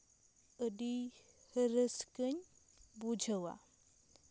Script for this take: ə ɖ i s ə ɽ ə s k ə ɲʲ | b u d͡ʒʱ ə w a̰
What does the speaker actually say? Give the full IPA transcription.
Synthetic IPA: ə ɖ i h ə ɾ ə s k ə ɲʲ | b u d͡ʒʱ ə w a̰